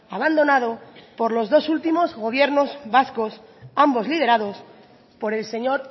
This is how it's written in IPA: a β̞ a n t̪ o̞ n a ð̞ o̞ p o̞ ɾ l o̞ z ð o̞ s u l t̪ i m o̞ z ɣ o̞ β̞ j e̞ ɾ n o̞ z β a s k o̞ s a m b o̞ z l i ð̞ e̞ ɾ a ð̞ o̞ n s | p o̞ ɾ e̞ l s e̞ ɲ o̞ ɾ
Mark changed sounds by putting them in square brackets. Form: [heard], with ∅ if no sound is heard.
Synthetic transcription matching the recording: a β̞ a n [d̪] o̞ n a ð̞ o̞ p o̞ ɾ l o̞ z ð o̞ s u l t̪ i m o̞ z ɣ o̞ β̞ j e̞ ɾ n o̞ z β a s k o̞ s a m b o̞ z l i ð̞ e̞ ɾ a ð̞ o̞ [∅] s | p o̞ ɾ e̞ l s e̞ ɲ o̞ ɾ

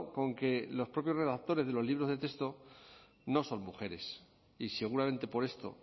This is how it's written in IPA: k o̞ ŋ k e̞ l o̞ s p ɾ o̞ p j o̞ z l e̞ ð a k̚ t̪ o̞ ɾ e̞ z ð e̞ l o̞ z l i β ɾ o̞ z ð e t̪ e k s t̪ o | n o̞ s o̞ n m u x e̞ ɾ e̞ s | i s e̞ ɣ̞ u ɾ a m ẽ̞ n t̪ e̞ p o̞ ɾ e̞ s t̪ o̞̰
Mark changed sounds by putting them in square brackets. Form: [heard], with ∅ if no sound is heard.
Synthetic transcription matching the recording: k o̞ ŋ k e̞ l o̞ s p ɾ o̞ p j o̞ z [r] e̞ ð a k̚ t̪ o̞ ɾ e̞ z ð e̞ l o̞ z l i β ɾ o̞ z ð e t̪ e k s t̪ o | n o̞ s o̞ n m u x e̞ ɾ e̞ s | i s e̞ ɣ̞ u ɾ a m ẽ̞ n t̪ e̞ p o̞ ɾ e̞ s t̪ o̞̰

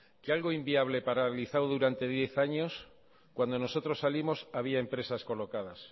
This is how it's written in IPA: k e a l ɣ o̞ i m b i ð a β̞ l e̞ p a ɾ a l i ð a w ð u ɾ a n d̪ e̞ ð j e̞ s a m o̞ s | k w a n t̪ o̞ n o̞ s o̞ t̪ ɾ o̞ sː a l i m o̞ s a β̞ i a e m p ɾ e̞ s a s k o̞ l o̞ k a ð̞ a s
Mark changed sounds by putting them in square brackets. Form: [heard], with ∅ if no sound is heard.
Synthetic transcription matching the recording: k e a l ɣ o̞ i m b i [∅] a β̞ l e̞ p a ɾ a l i [θ] a w ð u ɾ a n [t̪] e̞ ð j e̞ [θ] a [ɲ] o̞ s | k w a n [d̪] o̞ n o̞ s o̞ t̪ ɾ o̞ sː a l i m o̞ s a β̞ i a e m p ɾ e̞ s a s k o̞ l o̞ k a ð̞ a s

